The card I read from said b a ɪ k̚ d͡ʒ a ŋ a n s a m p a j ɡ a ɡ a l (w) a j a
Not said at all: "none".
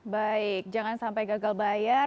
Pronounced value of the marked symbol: b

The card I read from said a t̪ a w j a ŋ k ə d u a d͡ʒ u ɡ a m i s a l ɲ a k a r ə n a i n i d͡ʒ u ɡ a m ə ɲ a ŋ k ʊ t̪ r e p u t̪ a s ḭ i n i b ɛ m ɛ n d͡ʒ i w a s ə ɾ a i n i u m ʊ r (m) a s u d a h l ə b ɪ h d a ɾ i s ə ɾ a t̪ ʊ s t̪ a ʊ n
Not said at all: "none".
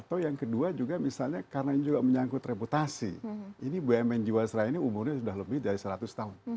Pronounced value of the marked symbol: ɲ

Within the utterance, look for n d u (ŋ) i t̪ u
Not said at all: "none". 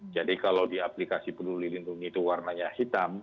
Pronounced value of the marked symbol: ŋ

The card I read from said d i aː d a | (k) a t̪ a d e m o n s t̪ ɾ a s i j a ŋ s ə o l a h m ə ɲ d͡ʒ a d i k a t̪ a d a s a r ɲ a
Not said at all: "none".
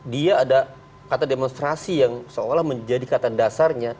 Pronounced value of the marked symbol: k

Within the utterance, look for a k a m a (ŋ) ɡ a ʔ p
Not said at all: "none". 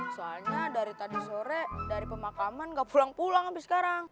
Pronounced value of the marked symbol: n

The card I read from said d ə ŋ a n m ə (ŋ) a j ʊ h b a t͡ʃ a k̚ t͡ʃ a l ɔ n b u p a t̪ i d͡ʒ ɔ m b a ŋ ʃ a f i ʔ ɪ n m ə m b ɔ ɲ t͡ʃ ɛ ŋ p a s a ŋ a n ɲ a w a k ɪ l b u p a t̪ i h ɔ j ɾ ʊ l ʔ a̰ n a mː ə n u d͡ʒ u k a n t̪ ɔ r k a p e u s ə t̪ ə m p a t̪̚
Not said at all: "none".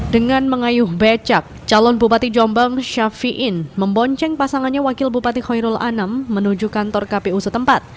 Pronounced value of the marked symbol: ŋ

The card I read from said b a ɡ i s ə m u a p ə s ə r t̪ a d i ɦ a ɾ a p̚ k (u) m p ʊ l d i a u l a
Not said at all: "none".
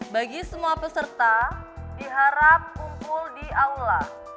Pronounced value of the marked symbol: u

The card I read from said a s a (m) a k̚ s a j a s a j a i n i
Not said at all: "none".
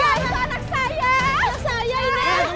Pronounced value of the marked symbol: n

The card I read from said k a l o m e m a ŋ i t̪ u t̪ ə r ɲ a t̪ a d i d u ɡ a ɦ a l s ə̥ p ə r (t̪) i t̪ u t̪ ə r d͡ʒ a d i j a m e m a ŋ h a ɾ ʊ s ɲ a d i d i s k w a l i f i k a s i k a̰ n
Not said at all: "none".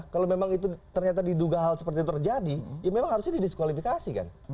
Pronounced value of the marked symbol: t̪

